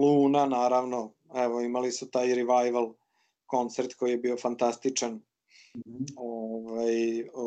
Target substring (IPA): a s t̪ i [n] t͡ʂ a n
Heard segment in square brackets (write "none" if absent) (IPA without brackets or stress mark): none